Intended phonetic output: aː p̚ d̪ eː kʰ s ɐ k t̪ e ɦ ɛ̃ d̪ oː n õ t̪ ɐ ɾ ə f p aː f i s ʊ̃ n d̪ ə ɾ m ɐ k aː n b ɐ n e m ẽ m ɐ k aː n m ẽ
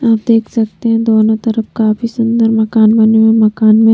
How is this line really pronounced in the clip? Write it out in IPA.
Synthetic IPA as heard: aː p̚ d̪ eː kʰ s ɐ k t̪ e ɦ ɛ̃ d̪ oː n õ t̪ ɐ ɾ ə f k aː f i s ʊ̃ n d̪ ə ɾ m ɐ k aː n b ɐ n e m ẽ m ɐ k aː n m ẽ